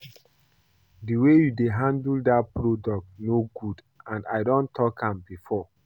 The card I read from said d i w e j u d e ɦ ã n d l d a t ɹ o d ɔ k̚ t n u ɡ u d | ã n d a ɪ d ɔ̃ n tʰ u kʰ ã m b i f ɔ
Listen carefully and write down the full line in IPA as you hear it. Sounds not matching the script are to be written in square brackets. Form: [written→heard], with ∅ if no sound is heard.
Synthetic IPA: d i w e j u d e ɦ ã n d l d a [t→p] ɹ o d ɔ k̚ t n [u→o] ɡ u d | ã n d a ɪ d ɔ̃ n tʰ [u→ɔ] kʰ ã m b i f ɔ